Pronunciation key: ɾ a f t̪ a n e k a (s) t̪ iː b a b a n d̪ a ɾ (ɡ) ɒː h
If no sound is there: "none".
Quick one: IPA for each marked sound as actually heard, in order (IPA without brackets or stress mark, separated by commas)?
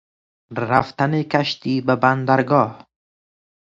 ʃ, ɡ